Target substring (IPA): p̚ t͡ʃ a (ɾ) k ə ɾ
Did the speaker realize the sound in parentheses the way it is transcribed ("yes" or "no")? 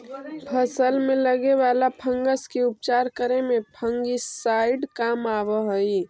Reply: yes